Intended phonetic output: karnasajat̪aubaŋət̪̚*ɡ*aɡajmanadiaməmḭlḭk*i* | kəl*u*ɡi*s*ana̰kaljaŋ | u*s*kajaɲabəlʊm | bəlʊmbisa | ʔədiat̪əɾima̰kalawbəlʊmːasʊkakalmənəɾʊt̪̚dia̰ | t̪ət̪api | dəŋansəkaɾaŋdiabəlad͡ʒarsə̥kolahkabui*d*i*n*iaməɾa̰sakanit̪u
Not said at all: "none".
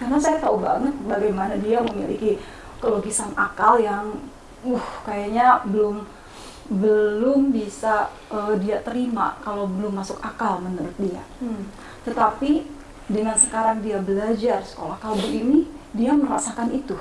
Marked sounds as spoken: b, i, o, s, h, n, d

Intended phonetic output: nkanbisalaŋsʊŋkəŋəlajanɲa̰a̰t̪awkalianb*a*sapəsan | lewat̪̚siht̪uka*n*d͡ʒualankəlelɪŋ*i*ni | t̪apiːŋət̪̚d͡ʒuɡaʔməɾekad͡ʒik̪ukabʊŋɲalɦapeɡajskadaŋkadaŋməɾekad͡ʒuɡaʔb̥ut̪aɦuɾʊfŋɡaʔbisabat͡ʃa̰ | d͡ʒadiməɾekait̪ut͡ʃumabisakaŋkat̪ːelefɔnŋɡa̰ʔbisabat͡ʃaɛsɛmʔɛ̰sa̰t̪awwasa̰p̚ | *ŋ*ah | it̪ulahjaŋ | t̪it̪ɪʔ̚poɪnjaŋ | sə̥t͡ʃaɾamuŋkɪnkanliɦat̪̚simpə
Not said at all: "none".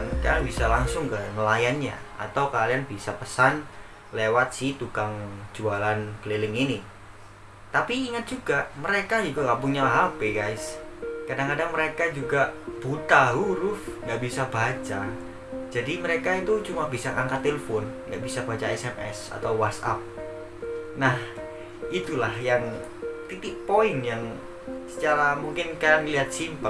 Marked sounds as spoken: i, ŋ, i, n

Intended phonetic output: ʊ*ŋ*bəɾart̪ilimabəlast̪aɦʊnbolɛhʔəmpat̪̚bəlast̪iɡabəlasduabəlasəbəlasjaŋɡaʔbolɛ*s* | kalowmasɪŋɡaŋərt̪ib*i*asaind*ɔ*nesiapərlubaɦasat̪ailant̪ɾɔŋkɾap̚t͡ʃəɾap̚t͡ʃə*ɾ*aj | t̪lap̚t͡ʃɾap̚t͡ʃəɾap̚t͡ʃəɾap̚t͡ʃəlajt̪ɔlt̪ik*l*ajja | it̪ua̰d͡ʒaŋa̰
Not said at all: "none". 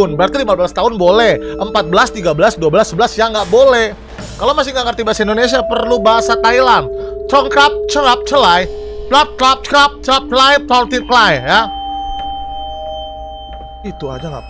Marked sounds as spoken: n, h, a, o, l, l

